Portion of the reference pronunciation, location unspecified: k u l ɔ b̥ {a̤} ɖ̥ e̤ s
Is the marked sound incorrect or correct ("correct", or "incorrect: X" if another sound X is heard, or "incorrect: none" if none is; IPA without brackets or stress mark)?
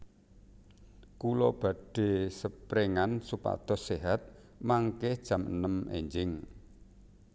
correct